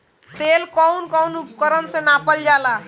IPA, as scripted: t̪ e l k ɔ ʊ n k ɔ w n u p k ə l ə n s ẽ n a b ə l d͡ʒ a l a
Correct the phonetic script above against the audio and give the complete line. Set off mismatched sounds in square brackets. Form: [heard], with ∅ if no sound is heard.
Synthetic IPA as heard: t̪ e l k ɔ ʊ n k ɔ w n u p k ə [ɾ] ə n s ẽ n a [p] ə l d͡ʒ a l a